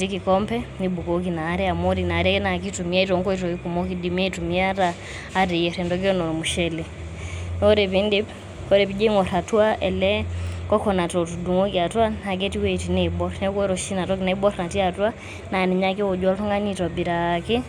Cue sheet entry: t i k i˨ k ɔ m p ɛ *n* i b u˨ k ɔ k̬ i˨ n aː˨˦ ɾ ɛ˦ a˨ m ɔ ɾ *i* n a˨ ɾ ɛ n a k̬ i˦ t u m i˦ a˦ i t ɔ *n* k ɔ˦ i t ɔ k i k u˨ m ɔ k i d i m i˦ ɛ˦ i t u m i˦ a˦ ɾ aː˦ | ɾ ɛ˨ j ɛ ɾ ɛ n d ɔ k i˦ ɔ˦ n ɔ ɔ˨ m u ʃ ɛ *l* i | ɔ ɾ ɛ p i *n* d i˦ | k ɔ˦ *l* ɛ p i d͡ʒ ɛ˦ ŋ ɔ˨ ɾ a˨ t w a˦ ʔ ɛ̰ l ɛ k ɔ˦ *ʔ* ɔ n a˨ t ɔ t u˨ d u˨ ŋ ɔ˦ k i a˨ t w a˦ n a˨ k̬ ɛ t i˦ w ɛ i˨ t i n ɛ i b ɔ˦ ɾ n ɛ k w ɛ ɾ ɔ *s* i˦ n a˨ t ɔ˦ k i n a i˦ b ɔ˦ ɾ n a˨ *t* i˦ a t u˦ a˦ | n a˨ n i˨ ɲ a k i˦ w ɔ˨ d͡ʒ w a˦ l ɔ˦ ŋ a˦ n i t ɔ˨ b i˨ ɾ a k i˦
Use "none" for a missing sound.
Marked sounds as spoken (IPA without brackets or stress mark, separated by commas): n, i, ŋ, l, n, ɾ, k, ʃ, t